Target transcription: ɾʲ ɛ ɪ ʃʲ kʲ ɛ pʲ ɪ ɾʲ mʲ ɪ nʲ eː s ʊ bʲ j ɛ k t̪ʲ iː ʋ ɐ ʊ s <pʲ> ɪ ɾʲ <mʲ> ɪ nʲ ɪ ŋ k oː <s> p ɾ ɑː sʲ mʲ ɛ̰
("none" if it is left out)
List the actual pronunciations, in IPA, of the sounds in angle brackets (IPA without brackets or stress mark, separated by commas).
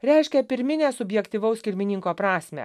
kʲ, mʲ, none